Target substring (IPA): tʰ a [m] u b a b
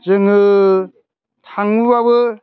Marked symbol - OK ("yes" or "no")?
no